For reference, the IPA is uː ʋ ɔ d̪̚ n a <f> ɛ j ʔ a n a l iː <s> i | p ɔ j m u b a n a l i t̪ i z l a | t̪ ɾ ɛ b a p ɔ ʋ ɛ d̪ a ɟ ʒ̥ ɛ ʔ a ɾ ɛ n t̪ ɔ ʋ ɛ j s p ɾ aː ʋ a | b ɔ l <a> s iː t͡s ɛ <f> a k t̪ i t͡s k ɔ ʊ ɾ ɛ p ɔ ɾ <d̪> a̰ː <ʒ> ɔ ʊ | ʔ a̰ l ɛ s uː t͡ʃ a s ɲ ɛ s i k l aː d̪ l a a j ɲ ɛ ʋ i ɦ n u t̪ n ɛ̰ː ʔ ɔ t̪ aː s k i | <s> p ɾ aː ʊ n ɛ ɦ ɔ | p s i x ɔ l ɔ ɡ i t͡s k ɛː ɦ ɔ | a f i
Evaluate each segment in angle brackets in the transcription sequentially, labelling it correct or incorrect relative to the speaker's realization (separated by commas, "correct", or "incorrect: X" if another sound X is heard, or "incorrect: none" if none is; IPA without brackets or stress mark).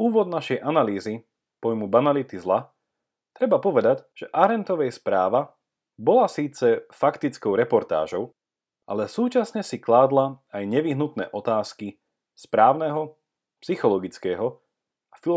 incorrect: ʃ, incorrect: z, correct, correct, incorrect: t̪, correct, correct